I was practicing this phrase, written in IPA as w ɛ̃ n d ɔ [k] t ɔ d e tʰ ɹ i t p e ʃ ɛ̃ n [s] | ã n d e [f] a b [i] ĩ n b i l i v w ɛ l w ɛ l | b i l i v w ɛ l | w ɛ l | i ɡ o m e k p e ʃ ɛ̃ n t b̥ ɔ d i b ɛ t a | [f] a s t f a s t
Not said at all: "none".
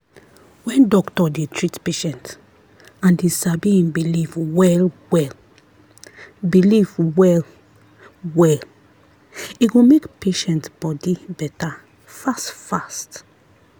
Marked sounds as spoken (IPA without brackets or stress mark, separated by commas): k, t, s, i, f